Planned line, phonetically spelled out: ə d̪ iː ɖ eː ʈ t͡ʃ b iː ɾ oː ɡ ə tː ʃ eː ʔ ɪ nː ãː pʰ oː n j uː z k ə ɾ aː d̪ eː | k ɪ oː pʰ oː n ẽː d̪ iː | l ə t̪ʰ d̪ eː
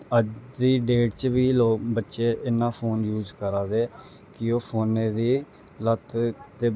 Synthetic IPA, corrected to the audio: ə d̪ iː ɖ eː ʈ t͡ʃ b iː l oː b ə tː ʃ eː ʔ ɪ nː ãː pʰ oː n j uː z k ə ɾ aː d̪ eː | k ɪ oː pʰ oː n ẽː d̪ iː | l ə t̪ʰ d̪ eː